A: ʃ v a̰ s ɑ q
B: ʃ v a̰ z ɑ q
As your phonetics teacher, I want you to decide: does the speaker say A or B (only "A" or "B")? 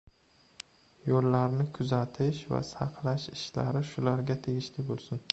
A